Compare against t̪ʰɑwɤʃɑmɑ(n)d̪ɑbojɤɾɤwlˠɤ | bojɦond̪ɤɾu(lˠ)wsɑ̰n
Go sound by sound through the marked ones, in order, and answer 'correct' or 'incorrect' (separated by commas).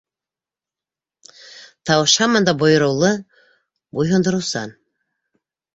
correct, incorrect